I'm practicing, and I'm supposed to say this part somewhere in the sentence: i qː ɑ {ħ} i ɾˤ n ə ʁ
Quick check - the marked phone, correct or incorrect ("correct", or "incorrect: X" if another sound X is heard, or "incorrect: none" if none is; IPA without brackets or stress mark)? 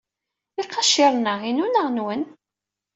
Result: incorrect: ʃ